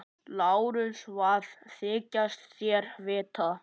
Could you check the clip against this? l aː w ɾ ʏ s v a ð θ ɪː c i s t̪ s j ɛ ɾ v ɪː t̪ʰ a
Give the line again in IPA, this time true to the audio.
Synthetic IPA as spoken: l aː w ɾ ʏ s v a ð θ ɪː c a s t̪ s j ɛ ɾ v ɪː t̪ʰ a